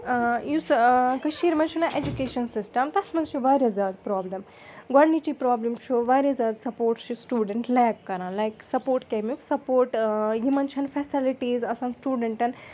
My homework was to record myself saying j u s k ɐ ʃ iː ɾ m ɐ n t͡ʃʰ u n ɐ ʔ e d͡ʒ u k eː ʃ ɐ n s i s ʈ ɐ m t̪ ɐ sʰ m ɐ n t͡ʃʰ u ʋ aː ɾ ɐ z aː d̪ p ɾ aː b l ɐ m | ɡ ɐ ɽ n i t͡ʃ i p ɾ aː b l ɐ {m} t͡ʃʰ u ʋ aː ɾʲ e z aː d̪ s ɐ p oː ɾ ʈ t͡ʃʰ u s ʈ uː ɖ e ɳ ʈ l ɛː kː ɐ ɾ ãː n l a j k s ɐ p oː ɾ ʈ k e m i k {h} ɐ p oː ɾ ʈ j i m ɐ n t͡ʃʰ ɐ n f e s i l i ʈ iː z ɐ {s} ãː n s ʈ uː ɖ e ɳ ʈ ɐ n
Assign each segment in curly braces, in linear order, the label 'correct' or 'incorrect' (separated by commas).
correct, incorrect, correct